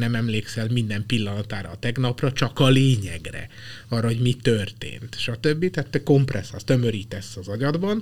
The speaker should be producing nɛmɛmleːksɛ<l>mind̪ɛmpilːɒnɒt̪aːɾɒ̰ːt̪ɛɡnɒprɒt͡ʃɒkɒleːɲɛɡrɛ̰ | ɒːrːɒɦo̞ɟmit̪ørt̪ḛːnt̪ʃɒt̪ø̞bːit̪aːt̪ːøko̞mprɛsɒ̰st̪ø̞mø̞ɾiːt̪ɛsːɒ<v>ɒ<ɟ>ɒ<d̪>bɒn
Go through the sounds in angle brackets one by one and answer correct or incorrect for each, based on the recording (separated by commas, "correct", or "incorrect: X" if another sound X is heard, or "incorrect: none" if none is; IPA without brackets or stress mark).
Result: correct, incorrect: z, correct, correct